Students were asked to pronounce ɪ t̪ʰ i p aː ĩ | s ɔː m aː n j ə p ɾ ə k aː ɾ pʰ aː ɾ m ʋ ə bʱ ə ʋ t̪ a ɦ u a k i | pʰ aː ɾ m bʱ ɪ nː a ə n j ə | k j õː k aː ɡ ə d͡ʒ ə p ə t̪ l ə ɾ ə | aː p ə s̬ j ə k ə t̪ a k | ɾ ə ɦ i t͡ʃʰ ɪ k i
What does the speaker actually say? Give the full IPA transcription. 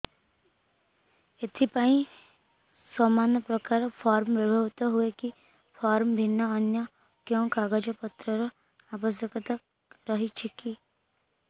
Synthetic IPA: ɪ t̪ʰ i p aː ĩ | s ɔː m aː n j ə p ɾ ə k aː ɾ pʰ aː ɾ m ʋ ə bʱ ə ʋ t̪ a ɦ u e k i | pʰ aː ɾ m bʱ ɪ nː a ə n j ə | k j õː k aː ɡ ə d͡ʒ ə p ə t̪ ɾ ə ɾ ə | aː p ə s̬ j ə k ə t̪ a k | ɾ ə ɦ i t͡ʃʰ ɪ k i